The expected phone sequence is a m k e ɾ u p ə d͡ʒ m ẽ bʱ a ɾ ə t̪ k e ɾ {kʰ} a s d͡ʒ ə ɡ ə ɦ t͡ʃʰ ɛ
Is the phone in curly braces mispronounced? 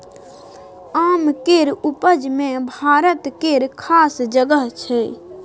no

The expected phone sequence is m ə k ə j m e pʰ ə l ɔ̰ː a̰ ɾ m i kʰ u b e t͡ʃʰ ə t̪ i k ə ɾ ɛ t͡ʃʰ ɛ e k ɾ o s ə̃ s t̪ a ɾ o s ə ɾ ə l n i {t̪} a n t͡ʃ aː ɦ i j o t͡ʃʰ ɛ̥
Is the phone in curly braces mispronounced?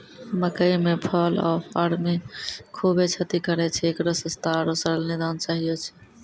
yes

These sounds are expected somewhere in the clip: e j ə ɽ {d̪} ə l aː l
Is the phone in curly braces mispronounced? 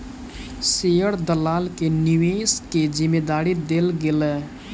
no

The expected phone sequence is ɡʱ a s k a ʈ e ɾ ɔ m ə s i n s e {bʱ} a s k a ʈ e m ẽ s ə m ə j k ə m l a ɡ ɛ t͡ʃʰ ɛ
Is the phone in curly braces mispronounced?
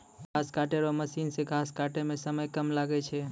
yes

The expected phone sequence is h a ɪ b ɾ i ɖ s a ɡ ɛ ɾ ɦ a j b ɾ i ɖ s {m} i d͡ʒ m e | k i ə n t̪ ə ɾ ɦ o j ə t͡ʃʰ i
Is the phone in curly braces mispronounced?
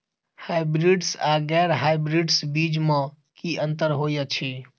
yes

